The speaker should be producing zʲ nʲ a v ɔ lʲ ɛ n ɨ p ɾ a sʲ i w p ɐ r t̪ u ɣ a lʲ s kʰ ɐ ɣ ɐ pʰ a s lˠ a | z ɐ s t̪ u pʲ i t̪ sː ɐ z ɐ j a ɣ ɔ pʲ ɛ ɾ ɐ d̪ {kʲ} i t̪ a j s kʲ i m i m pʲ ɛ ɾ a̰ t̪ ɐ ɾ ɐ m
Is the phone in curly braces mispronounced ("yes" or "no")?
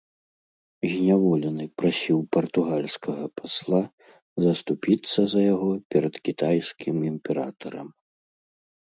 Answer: no